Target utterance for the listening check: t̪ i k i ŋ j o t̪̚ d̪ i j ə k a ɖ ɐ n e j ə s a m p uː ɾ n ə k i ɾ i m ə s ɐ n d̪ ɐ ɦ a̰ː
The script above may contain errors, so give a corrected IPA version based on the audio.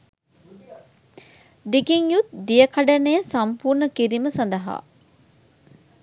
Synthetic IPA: d̪ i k i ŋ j u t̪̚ d̪ i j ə k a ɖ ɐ n e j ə s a m p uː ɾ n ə k i ɾ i m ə s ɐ n d̪ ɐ ɦ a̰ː